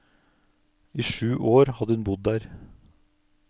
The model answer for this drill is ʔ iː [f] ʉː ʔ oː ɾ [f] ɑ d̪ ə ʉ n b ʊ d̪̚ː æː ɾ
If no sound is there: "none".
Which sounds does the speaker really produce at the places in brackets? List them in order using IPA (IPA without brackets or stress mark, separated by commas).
ʃ, h